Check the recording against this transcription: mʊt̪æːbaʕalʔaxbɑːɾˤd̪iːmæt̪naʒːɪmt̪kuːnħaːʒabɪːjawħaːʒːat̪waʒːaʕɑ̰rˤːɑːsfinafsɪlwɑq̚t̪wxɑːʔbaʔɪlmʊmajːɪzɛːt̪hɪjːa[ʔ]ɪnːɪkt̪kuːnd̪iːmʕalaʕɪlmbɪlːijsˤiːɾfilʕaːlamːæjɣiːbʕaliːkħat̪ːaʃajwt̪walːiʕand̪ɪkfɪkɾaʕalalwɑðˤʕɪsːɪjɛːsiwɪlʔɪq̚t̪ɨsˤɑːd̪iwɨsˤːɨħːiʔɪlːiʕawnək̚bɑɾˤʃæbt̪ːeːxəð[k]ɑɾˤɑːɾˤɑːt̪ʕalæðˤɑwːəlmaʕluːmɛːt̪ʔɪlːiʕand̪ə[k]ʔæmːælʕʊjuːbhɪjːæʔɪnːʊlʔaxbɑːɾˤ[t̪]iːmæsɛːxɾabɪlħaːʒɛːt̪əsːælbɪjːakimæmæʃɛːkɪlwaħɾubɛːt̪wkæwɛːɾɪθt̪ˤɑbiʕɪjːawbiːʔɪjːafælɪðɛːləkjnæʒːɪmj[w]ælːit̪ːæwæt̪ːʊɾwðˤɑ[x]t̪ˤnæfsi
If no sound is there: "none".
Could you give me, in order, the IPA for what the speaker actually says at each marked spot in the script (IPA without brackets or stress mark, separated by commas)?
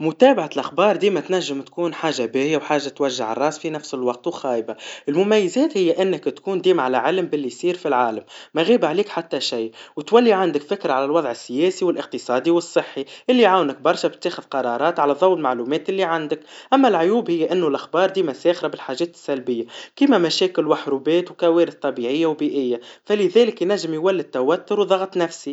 ʔ, q, k, d̪, w, ɣ